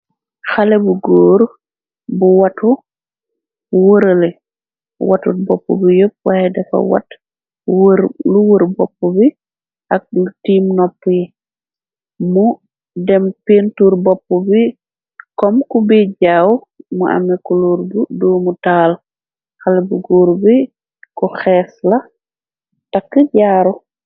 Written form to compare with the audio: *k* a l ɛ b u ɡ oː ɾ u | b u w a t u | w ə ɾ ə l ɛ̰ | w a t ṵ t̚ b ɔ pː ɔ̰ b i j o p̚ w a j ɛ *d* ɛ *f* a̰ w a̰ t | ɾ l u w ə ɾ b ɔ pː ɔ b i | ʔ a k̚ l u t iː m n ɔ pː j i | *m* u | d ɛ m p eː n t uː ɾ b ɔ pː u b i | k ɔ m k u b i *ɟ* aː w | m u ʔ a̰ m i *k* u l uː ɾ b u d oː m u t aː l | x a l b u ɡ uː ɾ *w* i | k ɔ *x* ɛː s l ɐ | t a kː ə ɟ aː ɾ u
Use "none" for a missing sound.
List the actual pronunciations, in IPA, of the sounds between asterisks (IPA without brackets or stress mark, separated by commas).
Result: x, d, f, m, ɟ, k, b, x